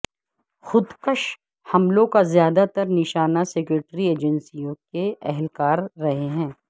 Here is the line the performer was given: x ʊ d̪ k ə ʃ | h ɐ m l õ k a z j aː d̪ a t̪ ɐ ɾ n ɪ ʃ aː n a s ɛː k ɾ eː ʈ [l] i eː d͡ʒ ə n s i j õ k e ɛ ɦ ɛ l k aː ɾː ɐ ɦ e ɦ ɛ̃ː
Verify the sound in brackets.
incorrect: ɾ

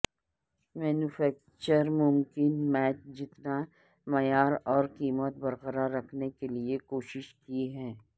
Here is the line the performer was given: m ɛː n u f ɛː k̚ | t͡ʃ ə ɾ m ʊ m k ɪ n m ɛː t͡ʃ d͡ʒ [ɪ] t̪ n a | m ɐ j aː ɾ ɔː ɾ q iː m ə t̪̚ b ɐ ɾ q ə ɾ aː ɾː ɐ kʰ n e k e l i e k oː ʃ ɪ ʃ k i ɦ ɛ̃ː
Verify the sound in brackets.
correct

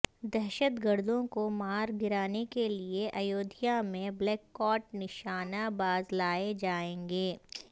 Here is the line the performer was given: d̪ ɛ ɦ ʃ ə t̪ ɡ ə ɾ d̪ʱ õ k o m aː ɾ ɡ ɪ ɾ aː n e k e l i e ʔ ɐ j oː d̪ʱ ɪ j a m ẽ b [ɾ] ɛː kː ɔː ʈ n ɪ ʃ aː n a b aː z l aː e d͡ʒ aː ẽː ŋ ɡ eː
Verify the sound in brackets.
incorrect: l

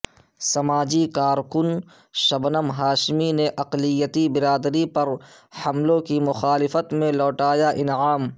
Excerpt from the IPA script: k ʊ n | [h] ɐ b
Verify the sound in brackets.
incorrect: ʃ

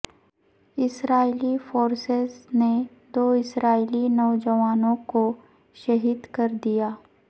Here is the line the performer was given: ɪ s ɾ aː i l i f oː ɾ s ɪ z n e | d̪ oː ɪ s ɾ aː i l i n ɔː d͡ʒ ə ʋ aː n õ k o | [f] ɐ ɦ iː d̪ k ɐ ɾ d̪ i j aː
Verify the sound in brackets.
incorrect: ʃ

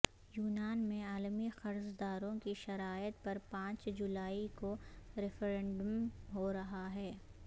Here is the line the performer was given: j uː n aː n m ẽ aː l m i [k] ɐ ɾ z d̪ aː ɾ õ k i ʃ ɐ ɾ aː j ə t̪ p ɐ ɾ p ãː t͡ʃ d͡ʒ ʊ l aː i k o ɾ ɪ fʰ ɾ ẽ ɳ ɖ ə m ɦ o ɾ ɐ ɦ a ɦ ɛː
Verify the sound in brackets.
incorrect: x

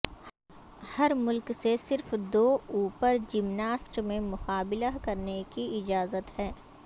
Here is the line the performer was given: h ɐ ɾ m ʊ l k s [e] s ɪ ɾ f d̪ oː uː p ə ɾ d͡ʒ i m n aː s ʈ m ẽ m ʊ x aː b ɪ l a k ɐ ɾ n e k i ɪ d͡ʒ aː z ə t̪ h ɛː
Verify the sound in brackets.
correct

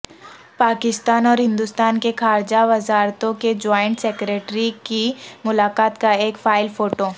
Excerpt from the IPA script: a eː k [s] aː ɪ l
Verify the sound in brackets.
incorrect: f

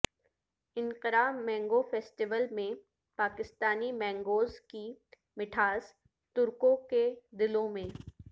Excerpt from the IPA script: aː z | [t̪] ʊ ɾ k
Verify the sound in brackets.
correct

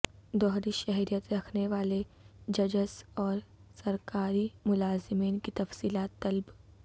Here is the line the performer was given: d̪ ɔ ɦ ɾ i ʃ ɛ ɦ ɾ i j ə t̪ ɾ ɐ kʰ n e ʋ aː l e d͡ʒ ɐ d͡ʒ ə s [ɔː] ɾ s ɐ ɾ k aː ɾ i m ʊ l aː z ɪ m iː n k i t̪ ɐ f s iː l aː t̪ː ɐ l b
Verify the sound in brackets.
correct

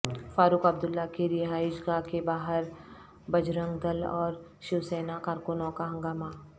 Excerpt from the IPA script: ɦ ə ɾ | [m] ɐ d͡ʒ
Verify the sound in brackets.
incorrect: b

